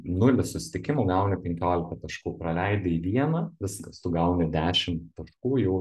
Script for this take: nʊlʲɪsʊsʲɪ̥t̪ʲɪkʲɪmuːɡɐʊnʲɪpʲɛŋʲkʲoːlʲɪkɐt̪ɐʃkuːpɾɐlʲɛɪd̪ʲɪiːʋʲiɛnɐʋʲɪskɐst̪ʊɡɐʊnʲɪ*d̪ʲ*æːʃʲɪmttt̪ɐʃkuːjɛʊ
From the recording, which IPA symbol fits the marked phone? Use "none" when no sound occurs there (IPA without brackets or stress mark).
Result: d̪ʲ